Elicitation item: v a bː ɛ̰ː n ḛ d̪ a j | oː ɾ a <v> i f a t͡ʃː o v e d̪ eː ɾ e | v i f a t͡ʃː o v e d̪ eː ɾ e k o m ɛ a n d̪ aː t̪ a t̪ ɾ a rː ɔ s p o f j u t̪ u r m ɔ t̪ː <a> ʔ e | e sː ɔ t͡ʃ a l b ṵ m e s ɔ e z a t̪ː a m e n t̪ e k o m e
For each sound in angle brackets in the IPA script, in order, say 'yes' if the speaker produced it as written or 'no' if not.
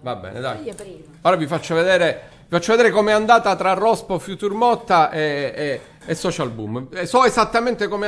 yes, yes

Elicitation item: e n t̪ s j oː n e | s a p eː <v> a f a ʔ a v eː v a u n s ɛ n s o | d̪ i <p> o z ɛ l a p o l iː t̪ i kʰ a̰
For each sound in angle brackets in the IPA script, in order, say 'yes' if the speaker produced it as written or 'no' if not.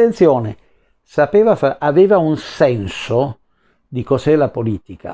yes, no

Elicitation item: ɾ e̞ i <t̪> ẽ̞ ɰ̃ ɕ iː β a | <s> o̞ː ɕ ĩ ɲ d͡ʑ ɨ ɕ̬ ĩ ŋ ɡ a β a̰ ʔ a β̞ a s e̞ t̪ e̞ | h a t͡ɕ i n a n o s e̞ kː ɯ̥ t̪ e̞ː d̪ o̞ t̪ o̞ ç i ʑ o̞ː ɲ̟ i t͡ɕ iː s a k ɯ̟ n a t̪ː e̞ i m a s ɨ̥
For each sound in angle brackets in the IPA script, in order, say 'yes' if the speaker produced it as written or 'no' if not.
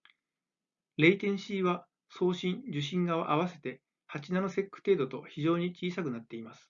yes, yes

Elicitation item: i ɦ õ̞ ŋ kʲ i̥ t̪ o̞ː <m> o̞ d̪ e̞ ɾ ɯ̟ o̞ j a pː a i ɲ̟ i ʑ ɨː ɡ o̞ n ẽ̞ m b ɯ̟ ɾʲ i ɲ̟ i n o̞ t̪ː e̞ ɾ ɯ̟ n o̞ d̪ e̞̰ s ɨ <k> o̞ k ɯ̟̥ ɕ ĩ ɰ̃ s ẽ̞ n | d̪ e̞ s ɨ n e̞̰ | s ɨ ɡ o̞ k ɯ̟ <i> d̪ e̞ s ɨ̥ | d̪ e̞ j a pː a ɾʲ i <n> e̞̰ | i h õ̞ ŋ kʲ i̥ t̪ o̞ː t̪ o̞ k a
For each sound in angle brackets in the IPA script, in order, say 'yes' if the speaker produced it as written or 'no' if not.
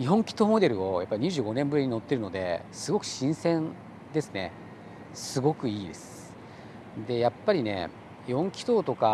yes, no, no, yes

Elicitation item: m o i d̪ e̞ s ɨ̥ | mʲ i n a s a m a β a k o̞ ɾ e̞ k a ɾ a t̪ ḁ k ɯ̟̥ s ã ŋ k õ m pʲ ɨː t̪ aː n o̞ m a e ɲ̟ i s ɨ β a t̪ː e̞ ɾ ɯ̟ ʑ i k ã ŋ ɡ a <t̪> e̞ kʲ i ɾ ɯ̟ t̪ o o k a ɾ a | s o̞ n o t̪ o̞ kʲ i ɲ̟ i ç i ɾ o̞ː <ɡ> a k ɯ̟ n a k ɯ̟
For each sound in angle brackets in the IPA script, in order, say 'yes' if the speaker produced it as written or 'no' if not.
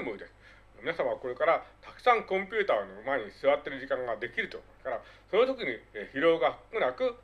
no, yes

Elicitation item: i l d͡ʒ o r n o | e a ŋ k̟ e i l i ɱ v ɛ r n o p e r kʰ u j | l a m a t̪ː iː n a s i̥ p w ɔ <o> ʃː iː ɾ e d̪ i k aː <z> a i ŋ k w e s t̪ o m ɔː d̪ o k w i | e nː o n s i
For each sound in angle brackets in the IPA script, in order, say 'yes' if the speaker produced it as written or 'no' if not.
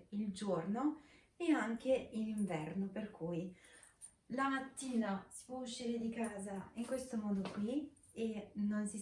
no, yes

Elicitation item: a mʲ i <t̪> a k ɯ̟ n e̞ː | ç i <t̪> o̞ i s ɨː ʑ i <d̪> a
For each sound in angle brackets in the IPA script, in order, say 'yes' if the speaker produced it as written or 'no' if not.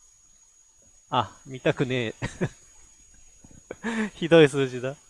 yes, no, yes

